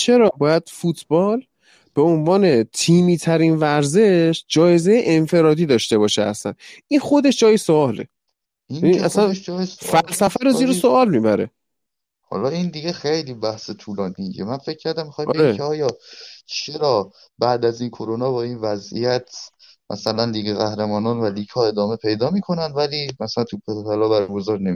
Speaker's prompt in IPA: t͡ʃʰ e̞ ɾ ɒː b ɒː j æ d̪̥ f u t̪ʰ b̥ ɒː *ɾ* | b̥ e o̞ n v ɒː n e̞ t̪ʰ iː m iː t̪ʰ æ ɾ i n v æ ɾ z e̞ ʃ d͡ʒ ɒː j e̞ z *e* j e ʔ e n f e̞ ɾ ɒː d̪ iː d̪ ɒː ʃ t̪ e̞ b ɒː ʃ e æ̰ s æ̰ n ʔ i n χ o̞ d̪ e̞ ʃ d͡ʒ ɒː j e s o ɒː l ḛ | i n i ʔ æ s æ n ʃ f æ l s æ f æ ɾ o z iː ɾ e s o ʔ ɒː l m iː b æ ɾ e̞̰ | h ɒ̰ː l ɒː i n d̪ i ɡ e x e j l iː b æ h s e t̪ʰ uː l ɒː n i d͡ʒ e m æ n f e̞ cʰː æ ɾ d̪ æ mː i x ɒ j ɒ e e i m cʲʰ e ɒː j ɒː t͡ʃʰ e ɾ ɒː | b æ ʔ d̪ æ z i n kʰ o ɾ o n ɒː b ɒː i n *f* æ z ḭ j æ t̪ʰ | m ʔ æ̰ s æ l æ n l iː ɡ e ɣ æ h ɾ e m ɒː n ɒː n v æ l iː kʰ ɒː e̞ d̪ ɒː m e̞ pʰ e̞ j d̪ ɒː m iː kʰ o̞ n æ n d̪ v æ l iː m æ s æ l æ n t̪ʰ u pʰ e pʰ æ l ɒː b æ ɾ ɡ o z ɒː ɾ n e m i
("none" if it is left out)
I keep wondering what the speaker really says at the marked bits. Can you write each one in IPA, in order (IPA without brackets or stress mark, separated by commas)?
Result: l, e, v